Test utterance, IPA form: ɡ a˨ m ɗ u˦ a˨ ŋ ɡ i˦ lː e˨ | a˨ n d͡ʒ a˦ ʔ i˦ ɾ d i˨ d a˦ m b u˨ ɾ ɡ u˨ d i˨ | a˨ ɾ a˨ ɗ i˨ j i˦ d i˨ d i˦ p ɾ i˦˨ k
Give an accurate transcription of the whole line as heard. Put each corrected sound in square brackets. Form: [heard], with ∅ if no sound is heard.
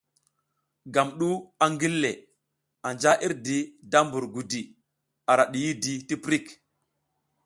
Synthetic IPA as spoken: ɡ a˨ m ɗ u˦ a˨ ŋ ɡ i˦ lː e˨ | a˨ n d͡ʒ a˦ ʔ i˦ ɾ d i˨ d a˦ m b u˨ ɾ ɡ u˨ d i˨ | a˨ ɾ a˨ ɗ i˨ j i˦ d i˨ [t] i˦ p ɾ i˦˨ k